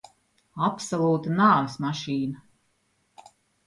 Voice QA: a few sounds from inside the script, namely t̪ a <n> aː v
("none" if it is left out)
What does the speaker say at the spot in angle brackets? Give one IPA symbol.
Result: n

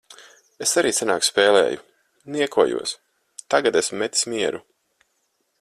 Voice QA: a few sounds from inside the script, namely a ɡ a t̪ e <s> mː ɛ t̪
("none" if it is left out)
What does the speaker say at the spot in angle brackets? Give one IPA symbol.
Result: s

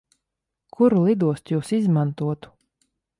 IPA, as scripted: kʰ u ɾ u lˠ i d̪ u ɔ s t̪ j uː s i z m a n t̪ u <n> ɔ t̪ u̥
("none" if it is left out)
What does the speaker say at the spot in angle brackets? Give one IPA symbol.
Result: none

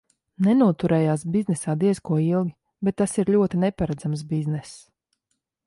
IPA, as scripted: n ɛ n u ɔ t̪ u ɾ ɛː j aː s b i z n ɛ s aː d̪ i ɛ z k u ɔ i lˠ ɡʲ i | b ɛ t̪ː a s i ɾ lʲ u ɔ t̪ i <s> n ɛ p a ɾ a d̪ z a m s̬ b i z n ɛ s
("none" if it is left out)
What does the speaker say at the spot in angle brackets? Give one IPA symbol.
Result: none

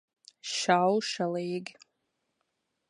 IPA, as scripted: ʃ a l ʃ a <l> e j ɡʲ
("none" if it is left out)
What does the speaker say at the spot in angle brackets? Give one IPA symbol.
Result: l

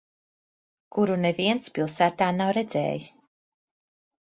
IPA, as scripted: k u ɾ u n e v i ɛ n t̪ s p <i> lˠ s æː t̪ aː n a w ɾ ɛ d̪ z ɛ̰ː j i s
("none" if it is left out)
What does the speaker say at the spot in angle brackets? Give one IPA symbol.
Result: i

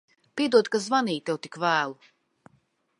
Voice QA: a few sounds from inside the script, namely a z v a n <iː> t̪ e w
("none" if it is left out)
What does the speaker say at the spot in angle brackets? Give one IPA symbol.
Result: iː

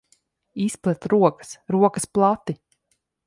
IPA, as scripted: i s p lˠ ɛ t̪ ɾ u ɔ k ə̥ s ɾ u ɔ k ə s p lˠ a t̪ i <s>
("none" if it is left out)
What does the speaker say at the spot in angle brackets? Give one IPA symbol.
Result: none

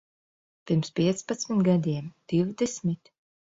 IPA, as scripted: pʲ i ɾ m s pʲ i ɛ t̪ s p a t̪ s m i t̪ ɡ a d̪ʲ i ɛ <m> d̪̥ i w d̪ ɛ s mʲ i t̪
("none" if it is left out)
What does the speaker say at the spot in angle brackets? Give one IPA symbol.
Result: m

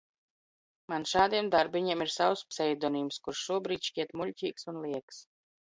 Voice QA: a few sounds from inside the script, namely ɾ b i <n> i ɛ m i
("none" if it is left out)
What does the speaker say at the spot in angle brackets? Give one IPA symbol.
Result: ɲ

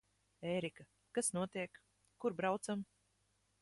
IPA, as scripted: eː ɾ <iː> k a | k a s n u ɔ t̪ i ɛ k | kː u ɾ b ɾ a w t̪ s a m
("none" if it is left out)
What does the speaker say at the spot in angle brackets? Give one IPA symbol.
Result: i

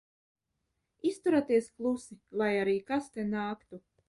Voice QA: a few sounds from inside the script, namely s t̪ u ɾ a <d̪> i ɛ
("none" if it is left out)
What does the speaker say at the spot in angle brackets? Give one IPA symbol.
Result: t̪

